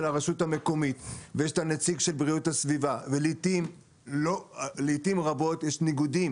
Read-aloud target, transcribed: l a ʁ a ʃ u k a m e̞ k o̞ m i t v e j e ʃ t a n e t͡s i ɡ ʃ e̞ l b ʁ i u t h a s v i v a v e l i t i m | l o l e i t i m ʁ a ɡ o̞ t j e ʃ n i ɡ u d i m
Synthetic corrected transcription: l a ʁ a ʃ u t a m e̞ k o̞ m i t v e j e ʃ t a n e t͡s i ɡ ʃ e̞ l b ʁ i u t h a s v i v a v e l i t i m | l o l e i t i m ʁ a b o̞ t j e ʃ n i ɡ u d i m